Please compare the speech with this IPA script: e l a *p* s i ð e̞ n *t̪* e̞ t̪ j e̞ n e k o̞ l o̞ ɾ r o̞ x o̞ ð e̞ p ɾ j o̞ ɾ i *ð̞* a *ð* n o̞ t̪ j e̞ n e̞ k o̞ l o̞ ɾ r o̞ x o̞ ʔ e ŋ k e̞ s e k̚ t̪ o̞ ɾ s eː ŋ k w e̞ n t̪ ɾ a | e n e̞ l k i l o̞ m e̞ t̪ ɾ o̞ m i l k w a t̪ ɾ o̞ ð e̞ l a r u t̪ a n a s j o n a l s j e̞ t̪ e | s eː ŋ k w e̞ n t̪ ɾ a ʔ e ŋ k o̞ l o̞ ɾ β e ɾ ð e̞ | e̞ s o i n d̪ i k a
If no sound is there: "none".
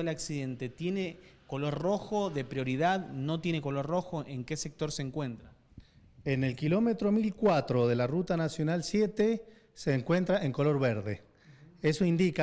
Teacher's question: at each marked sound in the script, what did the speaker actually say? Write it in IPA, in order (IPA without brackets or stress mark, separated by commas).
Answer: k, t̪, ð̞, ð